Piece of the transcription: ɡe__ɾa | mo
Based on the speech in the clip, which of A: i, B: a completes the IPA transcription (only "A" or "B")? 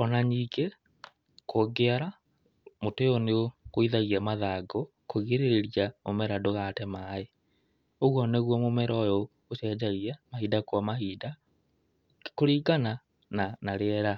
B